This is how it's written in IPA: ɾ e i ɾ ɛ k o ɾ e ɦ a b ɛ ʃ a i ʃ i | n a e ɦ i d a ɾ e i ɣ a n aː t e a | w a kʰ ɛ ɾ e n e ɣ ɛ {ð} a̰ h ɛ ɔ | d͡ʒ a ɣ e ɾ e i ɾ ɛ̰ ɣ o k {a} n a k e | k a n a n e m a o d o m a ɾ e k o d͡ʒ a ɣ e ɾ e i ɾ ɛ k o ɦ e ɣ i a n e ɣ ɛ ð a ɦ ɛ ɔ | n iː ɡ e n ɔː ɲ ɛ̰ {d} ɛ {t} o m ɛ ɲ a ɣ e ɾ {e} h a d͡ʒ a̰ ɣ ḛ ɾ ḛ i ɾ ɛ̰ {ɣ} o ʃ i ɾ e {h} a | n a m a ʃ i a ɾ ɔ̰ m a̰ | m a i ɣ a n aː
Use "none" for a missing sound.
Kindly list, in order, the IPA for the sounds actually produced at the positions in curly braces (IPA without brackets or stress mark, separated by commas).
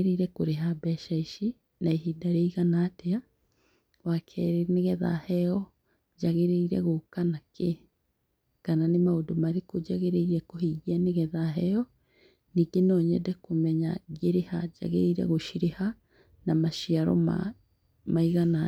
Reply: ð, a, d, k, e, ɣ, h